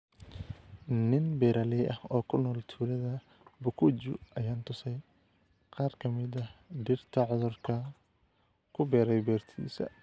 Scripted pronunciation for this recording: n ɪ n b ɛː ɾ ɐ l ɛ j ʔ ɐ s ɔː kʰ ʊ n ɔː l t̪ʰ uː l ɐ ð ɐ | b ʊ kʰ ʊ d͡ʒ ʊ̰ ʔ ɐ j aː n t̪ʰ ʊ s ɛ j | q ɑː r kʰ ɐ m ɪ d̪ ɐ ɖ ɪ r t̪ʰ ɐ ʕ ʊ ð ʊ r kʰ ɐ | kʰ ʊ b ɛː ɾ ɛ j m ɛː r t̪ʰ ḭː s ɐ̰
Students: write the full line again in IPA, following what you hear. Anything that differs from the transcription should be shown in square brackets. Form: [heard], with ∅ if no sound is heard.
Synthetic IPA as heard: n ɪ n b ɛː ɾ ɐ l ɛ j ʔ ɐ [h] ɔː kʰ ʊ n ɔː l t̪ʰ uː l ɐ ð ɐ | b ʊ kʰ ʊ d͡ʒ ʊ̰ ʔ ɐ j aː n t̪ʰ ʊ s ɛ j | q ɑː r kʰ ɐ m ɪ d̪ ɐ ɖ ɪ r t̪ʰ ɐ ʕ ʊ ð ʊ r kʰ ɐ | kʰ ʊ b ɛː ɾ ɛ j [b] ɛː r t̪ʰ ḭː s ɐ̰